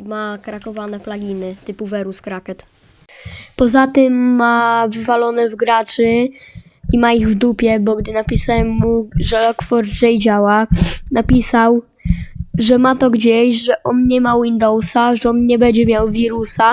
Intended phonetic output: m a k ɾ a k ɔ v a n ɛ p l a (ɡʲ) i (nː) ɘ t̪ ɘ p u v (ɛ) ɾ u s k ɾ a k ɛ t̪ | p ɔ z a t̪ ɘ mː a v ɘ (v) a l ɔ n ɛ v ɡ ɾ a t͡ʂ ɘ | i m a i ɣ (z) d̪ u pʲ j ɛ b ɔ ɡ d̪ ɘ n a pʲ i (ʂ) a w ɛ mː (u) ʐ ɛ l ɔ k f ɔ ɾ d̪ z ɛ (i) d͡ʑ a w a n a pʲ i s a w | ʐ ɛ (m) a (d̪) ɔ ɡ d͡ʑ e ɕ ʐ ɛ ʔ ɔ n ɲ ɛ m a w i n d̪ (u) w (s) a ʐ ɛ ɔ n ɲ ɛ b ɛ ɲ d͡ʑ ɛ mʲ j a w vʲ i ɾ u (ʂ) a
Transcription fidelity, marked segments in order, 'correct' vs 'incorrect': correct, incorrect, correct, correct, incorrect, incorrect, correct, incorrect, correct, incorrect, incorrect, correct, incorrect

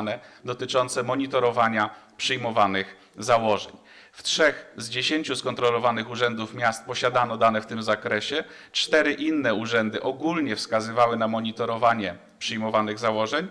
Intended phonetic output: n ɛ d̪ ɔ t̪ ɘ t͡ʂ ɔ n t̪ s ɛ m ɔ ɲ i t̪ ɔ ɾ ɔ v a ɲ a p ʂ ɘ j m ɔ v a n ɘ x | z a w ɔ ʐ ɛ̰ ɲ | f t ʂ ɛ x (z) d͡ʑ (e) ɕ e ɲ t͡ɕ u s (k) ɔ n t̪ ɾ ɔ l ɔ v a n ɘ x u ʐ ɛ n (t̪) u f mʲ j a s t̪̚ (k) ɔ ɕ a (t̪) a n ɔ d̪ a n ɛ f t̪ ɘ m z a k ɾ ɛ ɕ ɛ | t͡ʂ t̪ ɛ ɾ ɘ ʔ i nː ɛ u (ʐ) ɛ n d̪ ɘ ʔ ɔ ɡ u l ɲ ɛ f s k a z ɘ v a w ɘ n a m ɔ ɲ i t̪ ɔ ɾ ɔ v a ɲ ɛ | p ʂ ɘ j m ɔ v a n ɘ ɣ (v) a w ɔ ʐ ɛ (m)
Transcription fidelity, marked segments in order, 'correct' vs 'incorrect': correct, correct, correct, incorrect, incorrect, incorrect, correct, incorrect, incorrect

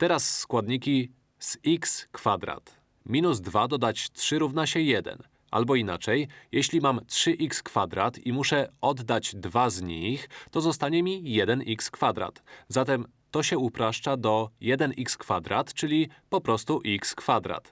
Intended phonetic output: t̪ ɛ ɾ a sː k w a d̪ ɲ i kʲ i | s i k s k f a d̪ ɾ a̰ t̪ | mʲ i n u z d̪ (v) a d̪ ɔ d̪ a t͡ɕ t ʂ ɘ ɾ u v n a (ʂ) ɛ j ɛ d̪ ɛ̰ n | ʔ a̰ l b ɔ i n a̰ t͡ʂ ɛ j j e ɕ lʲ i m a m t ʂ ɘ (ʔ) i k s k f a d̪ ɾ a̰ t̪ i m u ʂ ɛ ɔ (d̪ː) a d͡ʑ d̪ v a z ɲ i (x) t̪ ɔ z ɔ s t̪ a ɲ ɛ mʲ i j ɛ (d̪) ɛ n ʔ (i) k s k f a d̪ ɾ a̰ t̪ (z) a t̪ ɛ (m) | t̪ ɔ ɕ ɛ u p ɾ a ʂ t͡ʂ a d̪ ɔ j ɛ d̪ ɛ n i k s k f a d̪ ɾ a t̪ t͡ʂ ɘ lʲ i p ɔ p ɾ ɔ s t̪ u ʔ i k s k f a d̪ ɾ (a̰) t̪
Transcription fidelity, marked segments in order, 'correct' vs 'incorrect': correct, incorrect, correct, correct, correct, correct, correct, correct, correct, correct

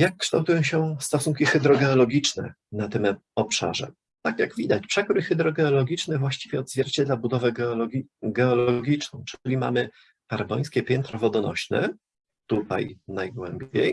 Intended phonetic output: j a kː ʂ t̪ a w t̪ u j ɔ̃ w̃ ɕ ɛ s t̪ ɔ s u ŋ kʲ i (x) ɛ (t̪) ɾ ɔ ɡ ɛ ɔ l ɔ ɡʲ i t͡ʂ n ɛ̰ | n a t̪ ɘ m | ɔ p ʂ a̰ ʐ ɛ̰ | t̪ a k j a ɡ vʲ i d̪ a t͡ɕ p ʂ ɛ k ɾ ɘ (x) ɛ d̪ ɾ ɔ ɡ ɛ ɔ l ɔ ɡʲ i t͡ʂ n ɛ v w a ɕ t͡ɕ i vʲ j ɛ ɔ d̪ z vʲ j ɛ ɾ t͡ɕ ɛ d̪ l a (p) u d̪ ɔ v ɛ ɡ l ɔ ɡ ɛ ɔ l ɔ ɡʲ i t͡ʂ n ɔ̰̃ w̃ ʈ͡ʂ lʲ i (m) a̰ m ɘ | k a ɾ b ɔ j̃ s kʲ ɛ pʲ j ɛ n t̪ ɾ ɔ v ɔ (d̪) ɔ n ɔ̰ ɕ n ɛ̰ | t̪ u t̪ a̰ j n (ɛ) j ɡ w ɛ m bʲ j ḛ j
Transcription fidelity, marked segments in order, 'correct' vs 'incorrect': correct, incorrect, correct, incorrect, correct, correct, incorrect

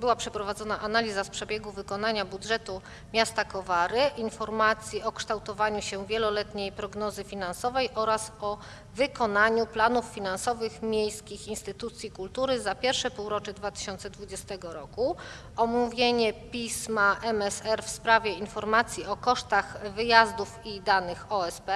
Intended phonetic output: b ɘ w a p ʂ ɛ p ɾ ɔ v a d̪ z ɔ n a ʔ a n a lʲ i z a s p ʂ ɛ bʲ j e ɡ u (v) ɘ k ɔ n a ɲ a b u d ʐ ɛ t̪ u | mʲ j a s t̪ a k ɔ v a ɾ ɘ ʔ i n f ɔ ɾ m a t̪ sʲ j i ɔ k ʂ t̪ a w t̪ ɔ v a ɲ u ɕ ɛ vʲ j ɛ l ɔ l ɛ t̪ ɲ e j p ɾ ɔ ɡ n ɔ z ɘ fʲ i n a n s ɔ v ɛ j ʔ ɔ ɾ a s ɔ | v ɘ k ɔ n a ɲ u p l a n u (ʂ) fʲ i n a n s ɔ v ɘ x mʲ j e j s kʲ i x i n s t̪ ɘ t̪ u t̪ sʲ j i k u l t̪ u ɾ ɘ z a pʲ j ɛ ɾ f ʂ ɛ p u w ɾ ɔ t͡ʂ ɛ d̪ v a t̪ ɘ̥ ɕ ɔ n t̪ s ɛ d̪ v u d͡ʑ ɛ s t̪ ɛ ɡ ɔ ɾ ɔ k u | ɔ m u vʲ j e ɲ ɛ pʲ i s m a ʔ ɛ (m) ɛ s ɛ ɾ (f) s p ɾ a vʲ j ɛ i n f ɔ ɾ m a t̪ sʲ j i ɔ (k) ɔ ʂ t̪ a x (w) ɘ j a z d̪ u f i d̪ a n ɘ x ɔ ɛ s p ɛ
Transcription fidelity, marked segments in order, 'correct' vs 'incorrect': correct, incorrect, correct, correct, correct, incorrect

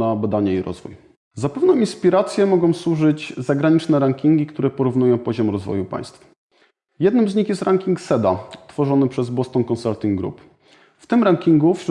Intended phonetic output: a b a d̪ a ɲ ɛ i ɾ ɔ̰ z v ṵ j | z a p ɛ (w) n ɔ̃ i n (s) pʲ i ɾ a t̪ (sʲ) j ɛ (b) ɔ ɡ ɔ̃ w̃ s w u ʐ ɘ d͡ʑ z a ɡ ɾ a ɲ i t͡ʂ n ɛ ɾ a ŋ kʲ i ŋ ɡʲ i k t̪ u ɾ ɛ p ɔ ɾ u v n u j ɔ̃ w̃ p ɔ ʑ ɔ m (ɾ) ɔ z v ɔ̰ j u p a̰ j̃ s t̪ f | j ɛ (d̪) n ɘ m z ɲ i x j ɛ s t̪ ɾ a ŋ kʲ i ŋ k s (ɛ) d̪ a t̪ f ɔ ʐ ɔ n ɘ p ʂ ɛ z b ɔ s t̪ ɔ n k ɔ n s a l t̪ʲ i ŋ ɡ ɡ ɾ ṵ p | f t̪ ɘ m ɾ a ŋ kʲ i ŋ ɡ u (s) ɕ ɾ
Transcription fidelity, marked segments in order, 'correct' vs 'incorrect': incorrect, correct, correct, incorrect, correct, correct, correct, incorrect

